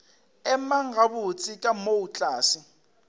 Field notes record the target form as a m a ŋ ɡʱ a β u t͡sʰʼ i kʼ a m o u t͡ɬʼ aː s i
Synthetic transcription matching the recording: ɛ m a ŋ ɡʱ a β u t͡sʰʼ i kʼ a m o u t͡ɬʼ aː s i